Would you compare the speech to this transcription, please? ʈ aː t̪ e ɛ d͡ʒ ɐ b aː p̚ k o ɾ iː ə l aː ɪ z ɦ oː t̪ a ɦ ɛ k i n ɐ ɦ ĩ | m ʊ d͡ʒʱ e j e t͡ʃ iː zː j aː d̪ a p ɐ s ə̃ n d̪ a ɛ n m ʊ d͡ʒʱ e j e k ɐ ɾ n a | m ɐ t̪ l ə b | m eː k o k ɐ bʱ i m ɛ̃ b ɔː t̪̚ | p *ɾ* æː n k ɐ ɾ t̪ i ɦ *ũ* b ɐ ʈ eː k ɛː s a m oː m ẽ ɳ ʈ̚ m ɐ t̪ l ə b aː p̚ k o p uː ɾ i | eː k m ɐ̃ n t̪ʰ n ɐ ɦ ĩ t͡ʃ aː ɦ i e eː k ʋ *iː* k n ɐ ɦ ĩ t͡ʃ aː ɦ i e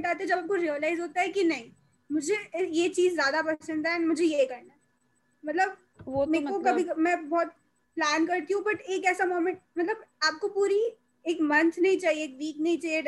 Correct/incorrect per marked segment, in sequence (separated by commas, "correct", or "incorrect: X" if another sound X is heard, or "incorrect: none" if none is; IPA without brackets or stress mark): incorrect: l, correct, correct